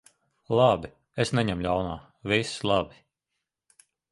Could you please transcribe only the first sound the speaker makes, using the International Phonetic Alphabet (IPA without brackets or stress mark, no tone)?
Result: lˠ